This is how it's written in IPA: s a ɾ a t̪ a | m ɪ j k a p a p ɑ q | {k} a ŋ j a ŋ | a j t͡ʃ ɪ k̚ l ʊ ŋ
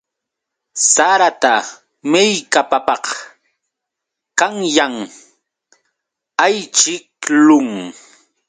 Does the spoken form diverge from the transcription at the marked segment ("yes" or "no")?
no